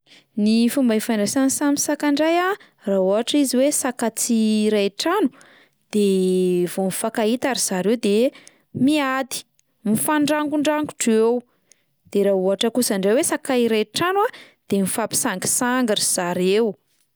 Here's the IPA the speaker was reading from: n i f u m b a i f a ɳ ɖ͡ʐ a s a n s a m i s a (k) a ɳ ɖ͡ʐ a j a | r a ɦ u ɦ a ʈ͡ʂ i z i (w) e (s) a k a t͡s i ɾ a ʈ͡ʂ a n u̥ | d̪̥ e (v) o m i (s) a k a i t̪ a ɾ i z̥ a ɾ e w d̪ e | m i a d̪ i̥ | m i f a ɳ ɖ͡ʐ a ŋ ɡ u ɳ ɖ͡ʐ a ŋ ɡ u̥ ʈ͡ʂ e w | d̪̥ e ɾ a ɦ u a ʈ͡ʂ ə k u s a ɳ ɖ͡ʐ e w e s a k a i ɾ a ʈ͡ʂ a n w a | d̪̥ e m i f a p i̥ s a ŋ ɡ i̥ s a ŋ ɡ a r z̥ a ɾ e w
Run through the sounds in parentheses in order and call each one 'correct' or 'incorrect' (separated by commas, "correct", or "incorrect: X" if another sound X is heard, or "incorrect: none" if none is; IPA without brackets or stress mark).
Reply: correct, correct, correct, correct, incorrect: f